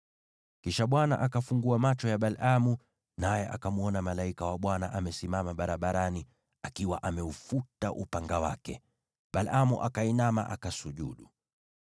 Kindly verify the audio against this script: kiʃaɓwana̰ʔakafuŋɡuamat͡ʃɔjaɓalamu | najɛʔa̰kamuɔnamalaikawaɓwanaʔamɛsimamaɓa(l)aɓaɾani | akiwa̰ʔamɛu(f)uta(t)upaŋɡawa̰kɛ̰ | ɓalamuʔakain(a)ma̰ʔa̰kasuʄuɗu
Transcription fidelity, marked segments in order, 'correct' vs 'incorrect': incorrect: ɾ, correct, incorrect: ʔ, correct

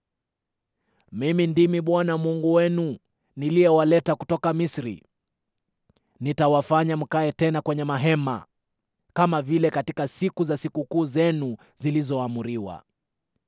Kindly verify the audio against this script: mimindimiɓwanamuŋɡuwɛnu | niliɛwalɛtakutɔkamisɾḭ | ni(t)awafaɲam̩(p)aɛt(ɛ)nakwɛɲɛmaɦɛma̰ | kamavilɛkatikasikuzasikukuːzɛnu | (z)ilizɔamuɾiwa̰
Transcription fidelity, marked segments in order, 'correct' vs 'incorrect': correct, incorrect: k, correct, correct

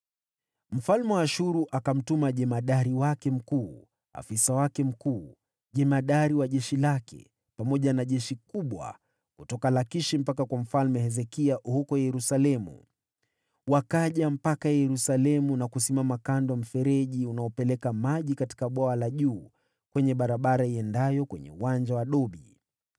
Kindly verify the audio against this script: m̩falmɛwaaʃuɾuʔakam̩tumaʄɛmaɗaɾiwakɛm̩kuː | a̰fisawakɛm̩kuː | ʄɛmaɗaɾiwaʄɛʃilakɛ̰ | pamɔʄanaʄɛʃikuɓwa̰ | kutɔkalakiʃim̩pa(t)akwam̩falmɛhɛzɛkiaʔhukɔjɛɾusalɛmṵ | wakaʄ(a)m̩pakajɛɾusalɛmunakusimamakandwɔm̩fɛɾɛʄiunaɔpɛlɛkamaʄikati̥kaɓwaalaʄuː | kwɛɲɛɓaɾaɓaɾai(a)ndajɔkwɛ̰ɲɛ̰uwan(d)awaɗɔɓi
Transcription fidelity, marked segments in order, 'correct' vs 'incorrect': incorrect: k, correct, incorrect: ɛ, incorrect: d͡ʒ

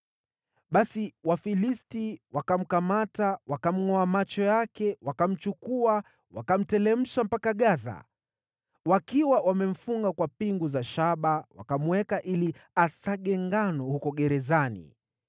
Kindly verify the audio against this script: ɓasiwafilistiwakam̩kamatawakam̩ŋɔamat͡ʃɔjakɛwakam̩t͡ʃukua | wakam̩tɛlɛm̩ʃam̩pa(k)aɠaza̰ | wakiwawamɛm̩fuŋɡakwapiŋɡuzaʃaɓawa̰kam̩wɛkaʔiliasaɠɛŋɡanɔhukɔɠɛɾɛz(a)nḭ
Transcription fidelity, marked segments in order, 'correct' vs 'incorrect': correct, correct

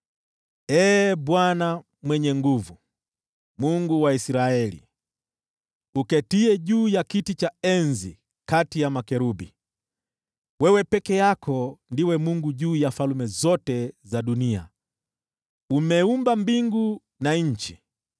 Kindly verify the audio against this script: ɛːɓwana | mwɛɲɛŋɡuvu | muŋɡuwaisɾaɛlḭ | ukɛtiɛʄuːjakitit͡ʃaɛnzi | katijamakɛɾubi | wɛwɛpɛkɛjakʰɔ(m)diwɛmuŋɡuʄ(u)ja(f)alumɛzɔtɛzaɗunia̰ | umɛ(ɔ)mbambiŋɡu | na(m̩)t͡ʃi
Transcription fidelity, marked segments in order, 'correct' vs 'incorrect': incorrect: n, incorrect: uː, correct, incorrect: u, incorrect: ɲ̩

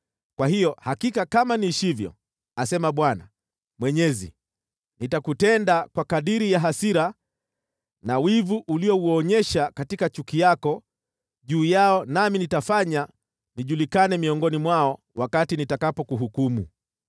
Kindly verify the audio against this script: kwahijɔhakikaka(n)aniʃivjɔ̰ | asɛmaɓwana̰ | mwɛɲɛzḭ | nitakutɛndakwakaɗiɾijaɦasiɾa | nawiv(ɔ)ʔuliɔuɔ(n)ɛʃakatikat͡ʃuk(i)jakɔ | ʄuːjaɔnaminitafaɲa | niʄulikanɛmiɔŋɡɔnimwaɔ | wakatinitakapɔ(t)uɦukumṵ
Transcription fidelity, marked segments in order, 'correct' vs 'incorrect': incorrect: m, incorrect: u, incorrect: ɲ, correct, incorrect: k

